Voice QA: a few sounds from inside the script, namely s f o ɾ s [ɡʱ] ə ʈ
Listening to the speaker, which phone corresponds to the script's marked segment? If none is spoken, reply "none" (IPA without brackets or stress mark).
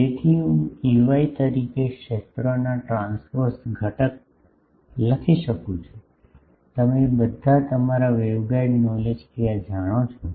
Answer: ɡʱ